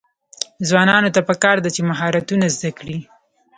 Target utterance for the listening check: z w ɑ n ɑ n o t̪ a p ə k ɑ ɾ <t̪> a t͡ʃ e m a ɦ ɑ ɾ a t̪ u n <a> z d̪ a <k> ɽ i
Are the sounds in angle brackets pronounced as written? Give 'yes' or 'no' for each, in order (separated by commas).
no, yes, yes